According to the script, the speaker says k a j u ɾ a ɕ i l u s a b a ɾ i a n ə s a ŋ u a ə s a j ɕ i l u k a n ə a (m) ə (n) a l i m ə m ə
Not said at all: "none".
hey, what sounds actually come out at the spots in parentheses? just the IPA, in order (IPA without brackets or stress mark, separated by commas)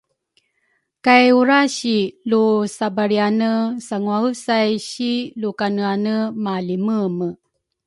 n, m